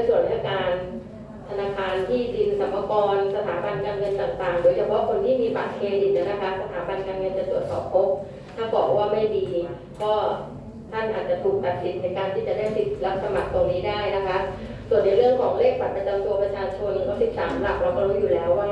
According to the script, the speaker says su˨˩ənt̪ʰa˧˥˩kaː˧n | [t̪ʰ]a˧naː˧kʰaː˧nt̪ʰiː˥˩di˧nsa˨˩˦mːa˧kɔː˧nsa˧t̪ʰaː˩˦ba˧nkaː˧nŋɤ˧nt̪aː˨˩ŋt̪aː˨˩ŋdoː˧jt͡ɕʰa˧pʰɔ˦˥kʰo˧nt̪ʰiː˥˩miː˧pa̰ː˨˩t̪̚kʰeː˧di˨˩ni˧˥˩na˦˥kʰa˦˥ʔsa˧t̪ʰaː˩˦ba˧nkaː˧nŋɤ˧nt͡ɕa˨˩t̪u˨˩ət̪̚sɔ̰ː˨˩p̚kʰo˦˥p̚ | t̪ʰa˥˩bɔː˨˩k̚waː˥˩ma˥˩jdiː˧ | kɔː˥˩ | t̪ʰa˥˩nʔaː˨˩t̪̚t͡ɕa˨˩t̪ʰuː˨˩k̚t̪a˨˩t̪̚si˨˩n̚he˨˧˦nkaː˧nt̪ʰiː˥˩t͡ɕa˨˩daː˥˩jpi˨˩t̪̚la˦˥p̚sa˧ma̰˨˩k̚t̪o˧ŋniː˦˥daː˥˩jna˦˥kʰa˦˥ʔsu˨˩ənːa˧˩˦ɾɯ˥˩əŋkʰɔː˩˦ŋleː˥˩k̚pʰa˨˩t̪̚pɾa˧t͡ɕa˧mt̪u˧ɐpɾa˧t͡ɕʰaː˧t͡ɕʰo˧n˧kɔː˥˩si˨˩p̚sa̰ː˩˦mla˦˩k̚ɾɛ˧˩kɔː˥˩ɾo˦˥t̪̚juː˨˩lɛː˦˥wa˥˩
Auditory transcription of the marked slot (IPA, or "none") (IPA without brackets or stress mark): t̪ʰ